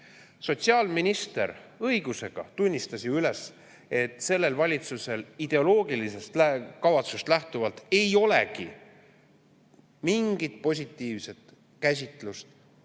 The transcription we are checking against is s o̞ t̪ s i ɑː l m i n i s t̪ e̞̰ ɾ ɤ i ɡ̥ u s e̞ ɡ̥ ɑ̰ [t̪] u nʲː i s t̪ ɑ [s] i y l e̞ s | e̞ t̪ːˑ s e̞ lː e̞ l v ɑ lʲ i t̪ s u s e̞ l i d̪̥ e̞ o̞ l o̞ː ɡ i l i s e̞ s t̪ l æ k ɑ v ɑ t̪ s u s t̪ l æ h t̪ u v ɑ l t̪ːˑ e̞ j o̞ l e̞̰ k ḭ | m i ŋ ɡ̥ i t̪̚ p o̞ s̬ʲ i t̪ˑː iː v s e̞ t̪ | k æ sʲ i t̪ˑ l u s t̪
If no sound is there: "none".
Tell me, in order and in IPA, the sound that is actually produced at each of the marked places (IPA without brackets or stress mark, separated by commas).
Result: t̪, s